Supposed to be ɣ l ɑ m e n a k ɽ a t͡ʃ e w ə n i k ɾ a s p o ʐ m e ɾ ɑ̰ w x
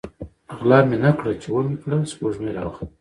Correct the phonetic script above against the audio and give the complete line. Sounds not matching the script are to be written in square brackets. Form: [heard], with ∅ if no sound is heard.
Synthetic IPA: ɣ l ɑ m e n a k ɽ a t͡ʃ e w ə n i k [ɽ] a s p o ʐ m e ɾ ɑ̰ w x

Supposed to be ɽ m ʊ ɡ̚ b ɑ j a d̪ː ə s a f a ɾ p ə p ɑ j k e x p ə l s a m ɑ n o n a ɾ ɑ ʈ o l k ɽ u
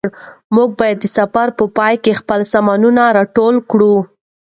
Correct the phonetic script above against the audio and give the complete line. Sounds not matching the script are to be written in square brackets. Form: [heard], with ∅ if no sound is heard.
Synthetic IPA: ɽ m [u] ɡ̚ b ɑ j a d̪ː ə s a f a ɾ p ə p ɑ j k e x p ə l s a m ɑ n [u] n a ɾ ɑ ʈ o l k ɽ u

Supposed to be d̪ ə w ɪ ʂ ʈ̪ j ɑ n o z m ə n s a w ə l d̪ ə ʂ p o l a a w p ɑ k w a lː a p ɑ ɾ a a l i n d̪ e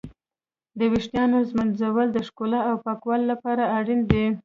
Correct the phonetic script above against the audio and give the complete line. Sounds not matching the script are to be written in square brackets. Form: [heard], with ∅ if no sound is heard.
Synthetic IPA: d̪ ə w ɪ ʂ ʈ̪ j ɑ n o z m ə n [z] a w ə l d̪ ə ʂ [k] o l a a w p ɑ k w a lː a p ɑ ɾ a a [ɽ] i n d̪ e

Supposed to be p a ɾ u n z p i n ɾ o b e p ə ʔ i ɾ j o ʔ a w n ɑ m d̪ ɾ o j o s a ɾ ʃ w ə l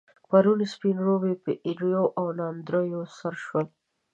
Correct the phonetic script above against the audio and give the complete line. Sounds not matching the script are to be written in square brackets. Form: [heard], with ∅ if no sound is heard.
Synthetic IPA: p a ɾ u n [s] p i n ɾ o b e p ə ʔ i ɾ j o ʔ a w n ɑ [n] d̪ ɾ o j o s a ɾ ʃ w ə l

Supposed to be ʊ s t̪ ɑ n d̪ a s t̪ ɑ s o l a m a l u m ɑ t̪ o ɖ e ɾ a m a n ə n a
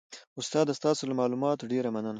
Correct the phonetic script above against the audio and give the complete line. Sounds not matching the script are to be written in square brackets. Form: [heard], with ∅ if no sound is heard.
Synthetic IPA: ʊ s t̪ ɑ [∅] d̪ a s t̪ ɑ s o l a m [ɑ] l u m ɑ t̪ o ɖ e ɾ a m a n ə n a

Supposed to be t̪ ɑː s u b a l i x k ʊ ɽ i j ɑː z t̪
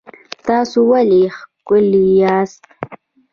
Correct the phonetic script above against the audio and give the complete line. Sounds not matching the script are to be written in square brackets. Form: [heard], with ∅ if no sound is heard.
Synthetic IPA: t̪ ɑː s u [w] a l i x k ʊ [l] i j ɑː [s] t̪

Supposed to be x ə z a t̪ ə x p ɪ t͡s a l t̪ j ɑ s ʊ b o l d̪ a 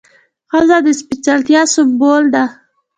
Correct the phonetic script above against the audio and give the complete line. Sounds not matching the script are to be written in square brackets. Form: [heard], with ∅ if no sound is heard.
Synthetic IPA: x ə z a [d̪] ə [s] p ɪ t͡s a l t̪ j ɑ s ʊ b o l d̪ a

